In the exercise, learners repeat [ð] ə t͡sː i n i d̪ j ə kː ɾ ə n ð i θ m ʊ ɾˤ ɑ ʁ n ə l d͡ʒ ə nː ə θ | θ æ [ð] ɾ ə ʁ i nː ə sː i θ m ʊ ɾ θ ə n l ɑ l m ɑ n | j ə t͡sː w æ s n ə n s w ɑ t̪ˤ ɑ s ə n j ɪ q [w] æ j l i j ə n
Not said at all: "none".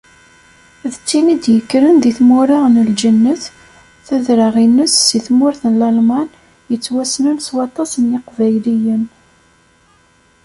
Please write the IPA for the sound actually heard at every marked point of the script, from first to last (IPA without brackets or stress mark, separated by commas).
ð, ð, v